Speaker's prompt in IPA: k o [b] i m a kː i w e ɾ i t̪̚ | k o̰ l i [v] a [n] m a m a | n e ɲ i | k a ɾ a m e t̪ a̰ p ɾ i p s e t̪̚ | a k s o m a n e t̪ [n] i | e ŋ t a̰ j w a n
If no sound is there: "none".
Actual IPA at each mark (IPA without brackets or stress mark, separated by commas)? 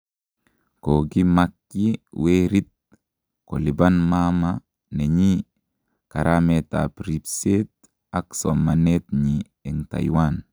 ɡ, b, n, ɲ